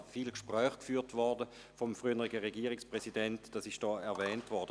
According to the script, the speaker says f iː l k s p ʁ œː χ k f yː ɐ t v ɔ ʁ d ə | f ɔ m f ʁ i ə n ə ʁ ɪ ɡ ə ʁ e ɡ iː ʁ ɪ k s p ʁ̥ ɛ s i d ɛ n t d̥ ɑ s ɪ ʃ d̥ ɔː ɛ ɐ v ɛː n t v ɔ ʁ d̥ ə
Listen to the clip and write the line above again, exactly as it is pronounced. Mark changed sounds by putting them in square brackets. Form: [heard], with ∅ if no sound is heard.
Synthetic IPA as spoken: f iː l k [ʃ] p ʁ œː χ k f yː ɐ t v ɔ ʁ d ə | f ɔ m f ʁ [y] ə n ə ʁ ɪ ɡ ə ʁ e ɡ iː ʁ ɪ k s p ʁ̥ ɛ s i d ɛ n t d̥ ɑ s ɪ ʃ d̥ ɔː ɛ ɐ v ɛː n t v ɔ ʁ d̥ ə